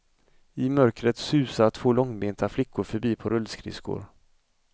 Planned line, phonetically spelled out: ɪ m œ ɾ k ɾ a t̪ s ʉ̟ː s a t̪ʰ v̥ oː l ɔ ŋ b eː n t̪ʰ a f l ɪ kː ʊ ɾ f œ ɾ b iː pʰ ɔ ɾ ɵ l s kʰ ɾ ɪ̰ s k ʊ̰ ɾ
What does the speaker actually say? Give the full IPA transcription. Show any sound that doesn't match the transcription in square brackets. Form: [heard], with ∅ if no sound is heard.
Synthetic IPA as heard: ɪ m œ ɾ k ɾ [ə] t̪ s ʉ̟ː s a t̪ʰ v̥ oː l ɔ ŋ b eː n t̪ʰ a f l ɪ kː ʊ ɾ f œ ɾ b iː pʰ ɔ ɾ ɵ l s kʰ ɾ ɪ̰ s k ʊ̰ ɾ

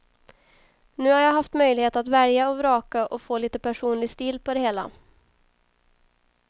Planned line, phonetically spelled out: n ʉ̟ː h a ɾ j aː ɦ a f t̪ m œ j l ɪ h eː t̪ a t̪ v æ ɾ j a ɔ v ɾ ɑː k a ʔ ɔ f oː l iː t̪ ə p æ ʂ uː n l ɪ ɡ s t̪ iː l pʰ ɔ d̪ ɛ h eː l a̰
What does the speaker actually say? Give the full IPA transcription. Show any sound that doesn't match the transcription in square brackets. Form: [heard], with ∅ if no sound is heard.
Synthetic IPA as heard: n ʉ̟ː h a ɾ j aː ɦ a f t̪ m œ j l ɪ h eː t̪ a t̪ v æ ɾ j a ɔ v ɾ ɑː k a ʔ ɔ f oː l iː t̪ ə p æ ʂ uː n l ɪ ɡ s t̪ iː l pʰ ɔ d̪ ɛ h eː l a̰

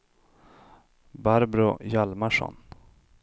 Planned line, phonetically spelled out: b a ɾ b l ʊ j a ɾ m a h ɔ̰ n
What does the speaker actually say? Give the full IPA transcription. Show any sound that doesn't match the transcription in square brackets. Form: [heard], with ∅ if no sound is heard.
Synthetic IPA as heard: b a ɾ b [ɾ] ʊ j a [l] m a [ʂ] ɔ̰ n

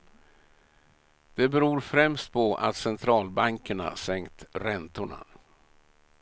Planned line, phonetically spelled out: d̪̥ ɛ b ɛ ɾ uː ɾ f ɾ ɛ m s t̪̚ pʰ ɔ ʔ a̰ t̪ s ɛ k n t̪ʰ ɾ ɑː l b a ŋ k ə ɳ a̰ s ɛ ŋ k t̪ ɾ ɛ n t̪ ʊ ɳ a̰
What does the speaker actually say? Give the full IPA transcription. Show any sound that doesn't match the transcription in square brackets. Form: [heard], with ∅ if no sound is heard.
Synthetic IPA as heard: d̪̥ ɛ b ɛ ɾ uː ɾ f ɾ ɛ m s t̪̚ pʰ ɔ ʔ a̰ t̪ s ɛ [∅] n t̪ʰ ɾ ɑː l b a ŋ k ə ɳ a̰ s ɛ ŋ k t̪ ɾ ɛ n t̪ ʊ ɳ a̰

